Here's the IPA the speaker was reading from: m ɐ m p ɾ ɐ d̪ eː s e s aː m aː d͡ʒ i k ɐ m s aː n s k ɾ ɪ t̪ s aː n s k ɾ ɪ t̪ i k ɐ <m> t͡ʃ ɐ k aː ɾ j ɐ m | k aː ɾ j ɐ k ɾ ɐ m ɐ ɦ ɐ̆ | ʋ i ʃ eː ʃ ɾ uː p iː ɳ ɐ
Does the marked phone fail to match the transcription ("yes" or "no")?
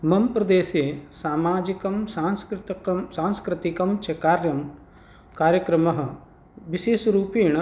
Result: no